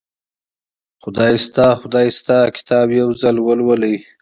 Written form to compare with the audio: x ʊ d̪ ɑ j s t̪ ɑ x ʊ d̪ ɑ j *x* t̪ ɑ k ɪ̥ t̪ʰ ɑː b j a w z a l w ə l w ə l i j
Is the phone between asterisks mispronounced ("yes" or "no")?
yes